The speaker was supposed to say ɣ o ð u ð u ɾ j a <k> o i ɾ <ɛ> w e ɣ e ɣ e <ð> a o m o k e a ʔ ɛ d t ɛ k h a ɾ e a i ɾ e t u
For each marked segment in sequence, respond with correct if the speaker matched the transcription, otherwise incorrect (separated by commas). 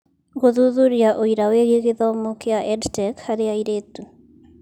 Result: incorrect, incorrect, correct